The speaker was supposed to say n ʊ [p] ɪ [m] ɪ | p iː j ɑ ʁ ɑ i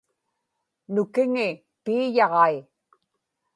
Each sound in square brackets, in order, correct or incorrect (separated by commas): incorrect, incorrect